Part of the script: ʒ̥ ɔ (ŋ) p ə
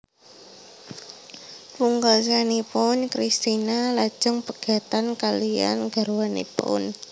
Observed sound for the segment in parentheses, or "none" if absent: ŋ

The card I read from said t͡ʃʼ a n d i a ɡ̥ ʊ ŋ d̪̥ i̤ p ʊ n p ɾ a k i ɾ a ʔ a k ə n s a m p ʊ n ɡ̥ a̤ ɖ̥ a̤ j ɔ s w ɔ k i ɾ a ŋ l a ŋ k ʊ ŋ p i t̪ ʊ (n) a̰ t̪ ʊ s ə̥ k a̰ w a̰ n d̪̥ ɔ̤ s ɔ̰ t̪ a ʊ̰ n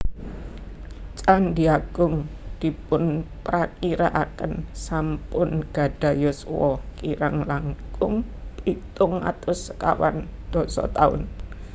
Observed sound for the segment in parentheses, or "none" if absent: ŋ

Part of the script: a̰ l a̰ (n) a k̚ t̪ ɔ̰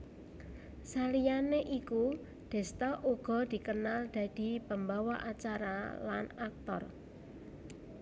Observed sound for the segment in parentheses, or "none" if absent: n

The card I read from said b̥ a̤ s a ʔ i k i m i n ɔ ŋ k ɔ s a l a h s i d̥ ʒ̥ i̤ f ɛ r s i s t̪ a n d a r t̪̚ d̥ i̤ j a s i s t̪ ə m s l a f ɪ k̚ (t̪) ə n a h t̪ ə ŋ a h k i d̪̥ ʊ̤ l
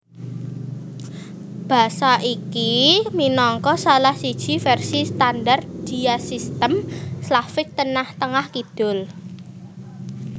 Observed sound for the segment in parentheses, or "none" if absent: t̪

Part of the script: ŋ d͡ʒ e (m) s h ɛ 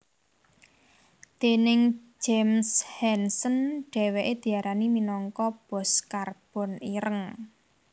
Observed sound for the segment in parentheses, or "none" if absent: m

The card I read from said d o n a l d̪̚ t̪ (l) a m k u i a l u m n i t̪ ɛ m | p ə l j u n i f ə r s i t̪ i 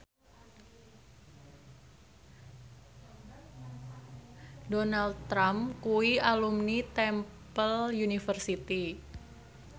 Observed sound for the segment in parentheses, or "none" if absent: ɾ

